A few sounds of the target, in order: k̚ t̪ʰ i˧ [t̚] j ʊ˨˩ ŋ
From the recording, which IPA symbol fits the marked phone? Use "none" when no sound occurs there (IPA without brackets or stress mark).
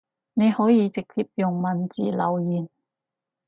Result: p̚